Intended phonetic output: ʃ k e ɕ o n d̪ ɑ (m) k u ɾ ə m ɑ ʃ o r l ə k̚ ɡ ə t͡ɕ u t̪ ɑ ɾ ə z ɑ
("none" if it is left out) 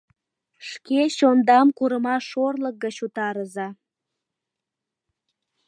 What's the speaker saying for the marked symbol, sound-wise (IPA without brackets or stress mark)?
m